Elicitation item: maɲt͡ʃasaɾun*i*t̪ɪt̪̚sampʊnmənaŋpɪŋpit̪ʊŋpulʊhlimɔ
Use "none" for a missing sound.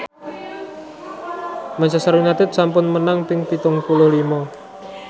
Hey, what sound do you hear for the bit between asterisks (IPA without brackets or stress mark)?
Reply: a